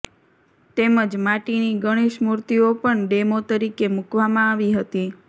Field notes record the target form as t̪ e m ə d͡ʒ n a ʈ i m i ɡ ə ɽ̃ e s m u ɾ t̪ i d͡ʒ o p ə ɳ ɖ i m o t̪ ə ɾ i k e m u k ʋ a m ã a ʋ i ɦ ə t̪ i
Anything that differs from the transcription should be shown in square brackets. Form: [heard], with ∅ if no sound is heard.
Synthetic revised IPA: t̪ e m ə d͡ʒ [m] a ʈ i [n] i ɡ ə ɽ̃ e [ʃ] m u ɾ t̪ i [∅] o p ə ɳ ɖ [e] m o t̪ ə ɾ i k e m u k ʋ a m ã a ʋ i ɦ ə t̪ i